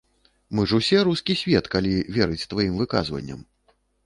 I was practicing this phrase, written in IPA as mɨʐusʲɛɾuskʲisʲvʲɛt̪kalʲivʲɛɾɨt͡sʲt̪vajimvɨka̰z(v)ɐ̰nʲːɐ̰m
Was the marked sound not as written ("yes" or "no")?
no